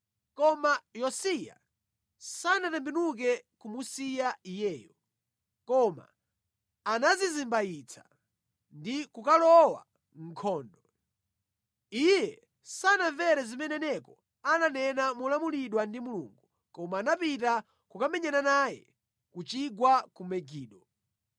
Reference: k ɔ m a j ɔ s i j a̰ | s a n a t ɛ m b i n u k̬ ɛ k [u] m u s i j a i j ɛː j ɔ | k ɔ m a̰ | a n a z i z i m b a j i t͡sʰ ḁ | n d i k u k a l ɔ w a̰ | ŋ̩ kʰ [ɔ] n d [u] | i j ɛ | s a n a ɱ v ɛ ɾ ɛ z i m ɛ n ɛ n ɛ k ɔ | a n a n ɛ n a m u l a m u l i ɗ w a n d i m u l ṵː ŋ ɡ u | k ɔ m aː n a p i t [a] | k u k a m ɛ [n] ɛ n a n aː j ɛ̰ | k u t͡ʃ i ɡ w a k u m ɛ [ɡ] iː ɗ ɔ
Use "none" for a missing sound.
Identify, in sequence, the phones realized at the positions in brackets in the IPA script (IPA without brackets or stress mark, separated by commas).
u, ɔː, ɔ, a, ɲ, ɡ